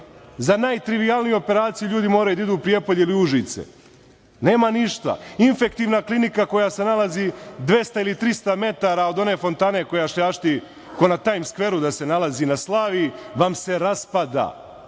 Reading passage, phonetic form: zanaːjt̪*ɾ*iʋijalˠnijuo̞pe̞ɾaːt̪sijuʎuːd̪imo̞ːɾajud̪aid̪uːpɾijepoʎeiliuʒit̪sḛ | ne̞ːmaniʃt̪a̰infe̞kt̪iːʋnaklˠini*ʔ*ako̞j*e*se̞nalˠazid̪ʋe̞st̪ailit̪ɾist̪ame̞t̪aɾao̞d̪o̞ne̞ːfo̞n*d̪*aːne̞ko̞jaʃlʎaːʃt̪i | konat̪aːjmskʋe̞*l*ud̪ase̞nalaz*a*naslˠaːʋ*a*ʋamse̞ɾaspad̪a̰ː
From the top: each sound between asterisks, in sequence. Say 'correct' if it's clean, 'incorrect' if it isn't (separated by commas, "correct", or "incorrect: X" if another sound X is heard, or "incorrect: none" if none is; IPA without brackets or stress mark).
correct, incorrect: k, incorrect: a, incorrect: t̪, incorrect: ɾ, incorrect: i, incorrect: i